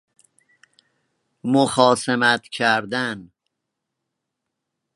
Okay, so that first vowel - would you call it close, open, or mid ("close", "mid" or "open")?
mid